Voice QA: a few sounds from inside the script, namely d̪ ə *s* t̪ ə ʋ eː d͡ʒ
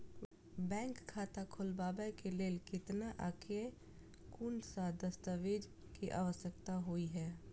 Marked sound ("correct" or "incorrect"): correct